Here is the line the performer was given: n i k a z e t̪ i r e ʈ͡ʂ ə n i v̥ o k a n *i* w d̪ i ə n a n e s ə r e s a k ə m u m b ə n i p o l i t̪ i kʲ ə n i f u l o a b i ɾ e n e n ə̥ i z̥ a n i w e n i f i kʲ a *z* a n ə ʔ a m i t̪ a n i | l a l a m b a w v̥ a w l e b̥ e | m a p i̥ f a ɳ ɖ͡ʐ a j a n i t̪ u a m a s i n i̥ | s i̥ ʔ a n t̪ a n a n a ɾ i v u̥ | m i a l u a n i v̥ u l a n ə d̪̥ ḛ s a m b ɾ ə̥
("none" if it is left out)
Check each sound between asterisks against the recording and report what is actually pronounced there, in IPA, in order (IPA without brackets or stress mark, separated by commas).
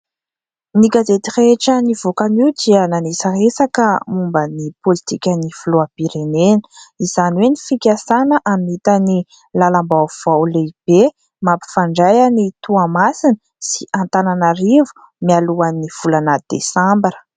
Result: i, s